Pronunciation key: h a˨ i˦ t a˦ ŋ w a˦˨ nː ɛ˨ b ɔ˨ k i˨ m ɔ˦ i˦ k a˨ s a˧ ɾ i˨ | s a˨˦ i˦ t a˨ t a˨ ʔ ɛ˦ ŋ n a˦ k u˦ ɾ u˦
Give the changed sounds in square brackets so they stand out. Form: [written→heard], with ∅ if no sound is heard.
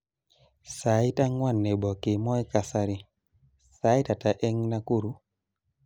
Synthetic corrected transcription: [h→s] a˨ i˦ t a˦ ŋ w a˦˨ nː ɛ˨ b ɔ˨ k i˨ m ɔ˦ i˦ k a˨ s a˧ ɾ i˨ | s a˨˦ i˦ t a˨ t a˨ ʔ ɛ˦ ŋ n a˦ k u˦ ɾ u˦